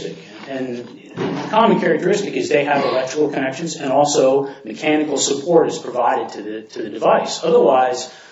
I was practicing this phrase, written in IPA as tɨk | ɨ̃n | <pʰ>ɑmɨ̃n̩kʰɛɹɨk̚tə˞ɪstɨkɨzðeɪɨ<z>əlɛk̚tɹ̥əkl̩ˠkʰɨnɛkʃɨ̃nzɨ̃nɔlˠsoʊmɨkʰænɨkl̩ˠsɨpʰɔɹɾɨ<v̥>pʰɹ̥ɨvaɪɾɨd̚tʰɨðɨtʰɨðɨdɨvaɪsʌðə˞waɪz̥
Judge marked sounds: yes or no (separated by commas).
no, no, no